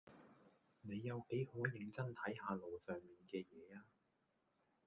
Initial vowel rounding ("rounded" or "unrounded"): unrounded